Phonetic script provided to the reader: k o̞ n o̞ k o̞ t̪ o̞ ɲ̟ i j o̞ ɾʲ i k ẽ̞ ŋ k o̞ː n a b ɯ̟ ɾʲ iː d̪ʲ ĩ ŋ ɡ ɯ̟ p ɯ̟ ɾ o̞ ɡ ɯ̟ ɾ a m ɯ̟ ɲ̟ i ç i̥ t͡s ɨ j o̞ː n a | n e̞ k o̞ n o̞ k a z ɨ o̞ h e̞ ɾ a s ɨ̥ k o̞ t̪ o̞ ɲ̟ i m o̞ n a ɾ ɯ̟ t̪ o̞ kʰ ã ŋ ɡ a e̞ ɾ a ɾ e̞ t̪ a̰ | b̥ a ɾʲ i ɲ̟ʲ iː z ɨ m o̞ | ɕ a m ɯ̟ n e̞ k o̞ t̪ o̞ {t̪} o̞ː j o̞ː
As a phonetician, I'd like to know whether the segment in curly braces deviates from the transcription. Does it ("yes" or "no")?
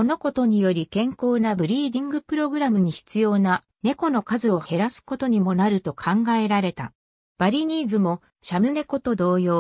yes